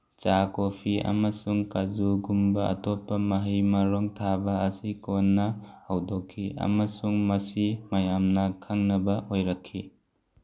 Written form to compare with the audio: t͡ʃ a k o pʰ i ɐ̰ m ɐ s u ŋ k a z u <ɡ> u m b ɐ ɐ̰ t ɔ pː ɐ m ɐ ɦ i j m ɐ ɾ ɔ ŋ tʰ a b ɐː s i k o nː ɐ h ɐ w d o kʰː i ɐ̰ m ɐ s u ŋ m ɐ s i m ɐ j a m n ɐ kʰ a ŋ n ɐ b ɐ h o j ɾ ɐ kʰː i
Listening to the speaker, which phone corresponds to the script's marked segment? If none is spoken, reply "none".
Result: ɡ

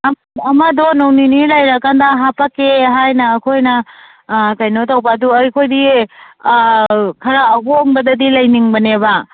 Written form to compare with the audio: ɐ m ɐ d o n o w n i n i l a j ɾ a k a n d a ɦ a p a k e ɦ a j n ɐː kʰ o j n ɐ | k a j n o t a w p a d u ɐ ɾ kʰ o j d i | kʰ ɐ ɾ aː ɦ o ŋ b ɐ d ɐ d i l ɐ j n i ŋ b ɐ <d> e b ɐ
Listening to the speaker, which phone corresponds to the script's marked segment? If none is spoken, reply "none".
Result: n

